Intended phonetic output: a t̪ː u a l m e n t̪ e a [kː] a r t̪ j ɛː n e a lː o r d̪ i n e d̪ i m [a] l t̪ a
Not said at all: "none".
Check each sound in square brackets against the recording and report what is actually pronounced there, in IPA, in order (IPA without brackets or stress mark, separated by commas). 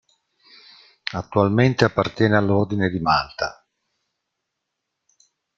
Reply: pː, a